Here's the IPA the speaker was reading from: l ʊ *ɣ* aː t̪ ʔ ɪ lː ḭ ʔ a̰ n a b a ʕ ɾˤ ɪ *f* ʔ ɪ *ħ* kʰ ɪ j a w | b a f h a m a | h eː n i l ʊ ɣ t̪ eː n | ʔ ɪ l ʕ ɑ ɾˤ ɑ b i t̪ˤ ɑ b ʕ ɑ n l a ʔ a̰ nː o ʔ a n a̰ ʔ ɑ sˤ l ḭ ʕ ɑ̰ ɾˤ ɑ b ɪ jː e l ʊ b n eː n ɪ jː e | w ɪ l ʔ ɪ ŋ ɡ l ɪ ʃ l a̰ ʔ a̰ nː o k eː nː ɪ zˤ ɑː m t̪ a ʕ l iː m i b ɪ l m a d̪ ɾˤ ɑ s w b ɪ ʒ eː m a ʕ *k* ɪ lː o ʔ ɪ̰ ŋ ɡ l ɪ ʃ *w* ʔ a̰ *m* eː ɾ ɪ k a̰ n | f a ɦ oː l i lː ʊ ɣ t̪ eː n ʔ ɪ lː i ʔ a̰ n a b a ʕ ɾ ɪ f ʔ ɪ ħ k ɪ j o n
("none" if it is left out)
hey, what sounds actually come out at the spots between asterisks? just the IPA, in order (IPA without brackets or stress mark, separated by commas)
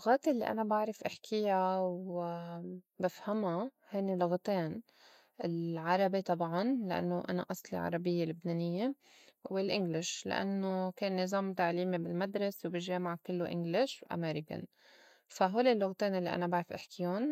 ɣ, f, ħ, k, w, m